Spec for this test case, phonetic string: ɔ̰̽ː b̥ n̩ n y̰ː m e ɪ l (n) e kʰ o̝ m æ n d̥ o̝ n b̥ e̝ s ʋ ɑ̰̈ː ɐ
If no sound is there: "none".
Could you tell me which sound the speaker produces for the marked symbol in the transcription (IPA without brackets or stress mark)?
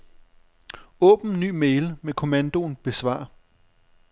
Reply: m